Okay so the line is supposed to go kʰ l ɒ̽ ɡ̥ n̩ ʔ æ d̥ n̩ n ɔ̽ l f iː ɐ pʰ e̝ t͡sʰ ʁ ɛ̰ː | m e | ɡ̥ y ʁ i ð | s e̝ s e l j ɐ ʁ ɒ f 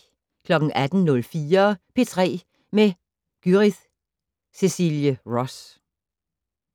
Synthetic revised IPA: kʰ l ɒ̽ ɡ̥ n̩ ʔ æ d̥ n̩ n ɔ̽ l f iː ɐ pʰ e̝ t͡sʰ ʁ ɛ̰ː | m e | ɡ̥ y ʁ i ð | s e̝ s i l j ə ʁ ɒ s